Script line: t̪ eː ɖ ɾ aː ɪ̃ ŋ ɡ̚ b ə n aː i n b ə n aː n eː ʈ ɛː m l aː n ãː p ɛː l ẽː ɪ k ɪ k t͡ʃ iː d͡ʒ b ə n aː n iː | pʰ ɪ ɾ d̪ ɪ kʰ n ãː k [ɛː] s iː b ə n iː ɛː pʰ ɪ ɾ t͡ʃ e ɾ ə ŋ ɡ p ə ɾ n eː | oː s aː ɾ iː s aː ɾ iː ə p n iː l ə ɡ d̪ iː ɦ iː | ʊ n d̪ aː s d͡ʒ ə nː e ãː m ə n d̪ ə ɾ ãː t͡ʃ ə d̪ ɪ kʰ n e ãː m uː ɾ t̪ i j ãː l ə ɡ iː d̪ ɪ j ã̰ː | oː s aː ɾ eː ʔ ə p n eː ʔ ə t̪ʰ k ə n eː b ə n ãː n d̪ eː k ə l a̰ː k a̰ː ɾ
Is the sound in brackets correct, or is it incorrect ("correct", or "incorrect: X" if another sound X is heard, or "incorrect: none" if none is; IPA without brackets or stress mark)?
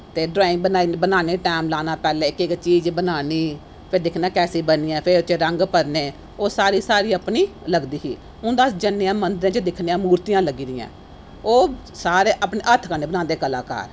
correct